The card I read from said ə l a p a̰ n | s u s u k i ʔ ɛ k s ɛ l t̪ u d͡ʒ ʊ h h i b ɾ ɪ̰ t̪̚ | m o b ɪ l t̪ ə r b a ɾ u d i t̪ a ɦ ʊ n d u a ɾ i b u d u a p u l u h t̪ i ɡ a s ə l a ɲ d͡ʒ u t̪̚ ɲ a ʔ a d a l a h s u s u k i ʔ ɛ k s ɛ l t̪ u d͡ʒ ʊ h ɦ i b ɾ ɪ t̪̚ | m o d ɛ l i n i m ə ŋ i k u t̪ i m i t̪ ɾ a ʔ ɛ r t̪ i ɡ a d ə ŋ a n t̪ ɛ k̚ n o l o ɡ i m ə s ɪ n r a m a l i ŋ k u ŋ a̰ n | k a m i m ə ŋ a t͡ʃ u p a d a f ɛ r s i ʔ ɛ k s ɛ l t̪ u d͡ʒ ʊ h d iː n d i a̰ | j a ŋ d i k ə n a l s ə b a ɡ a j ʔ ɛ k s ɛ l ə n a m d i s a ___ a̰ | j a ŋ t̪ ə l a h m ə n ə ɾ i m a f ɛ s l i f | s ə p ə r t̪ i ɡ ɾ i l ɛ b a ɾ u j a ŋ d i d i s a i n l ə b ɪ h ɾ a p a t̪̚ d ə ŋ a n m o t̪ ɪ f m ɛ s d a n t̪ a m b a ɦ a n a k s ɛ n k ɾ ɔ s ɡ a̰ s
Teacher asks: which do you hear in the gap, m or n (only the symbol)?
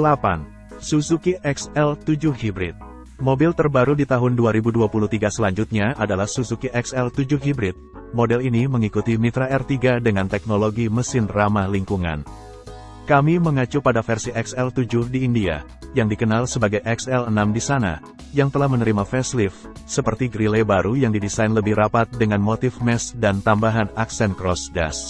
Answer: n